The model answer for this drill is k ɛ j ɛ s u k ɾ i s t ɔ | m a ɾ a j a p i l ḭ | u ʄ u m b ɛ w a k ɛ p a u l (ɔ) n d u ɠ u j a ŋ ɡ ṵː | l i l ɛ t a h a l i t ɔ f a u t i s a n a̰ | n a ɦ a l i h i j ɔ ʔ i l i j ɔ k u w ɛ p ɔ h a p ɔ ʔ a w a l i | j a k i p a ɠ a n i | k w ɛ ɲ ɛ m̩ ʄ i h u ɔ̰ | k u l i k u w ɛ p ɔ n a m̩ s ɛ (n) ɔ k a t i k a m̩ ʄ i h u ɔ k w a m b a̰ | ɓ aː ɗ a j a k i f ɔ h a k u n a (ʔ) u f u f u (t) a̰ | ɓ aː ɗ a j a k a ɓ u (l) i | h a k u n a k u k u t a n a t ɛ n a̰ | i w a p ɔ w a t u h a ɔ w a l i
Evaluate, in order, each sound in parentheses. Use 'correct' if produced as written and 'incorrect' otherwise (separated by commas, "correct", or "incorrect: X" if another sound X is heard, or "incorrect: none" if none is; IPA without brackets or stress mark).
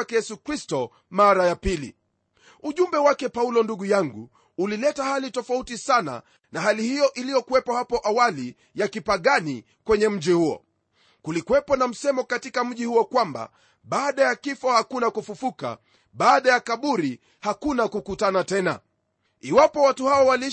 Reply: correct, incorrect: m, incorrect: k, incorrect: k, incorrect: ɾ